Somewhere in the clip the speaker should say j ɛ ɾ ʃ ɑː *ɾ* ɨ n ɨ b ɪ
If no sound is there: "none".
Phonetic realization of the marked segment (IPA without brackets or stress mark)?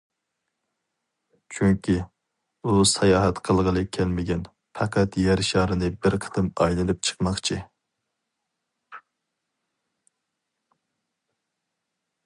ɾ